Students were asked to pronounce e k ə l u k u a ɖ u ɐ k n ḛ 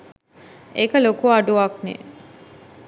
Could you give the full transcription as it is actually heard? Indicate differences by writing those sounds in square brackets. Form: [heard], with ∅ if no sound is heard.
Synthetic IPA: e k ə l [o] k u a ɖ u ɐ k n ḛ